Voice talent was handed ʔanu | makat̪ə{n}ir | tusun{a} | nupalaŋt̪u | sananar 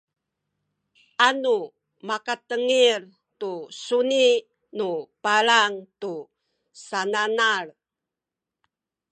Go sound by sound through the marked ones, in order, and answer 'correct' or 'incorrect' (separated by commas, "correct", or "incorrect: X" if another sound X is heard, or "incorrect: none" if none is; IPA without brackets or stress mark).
incorrect: ŋ, incorrect: i